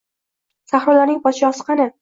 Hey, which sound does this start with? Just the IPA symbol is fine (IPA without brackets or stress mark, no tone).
s